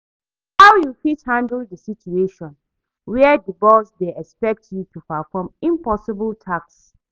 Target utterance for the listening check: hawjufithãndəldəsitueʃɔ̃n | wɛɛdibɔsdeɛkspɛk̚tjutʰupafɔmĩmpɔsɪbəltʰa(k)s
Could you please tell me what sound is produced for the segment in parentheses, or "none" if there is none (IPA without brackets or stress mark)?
k